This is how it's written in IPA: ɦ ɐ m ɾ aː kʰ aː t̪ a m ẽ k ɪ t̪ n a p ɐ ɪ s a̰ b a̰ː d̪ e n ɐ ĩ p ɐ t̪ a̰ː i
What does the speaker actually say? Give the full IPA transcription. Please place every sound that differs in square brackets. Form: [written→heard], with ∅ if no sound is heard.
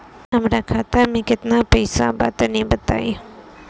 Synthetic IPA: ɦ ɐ m ɾ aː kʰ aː t̪ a m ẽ k ɪ t̪ n a p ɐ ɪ s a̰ b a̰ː [d̪→t̪] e n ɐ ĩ [p→b] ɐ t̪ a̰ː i